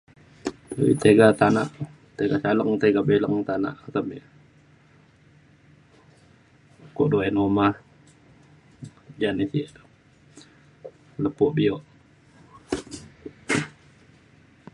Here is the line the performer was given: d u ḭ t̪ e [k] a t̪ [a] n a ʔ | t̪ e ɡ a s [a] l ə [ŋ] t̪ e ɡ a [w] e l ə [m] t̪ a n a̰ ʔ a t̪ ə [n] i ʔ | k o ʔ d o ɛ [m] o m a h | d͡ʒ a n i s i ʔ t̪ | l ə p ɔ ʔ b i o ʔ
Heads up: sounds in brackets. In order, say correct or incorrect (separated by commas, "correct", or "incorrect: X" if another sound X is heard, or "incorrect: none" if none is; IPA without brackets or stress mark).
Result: incorrect: ɡ, correct, correct, correct, incorrect: b, incorrect: ŋ, incorrect: m, incorrect: n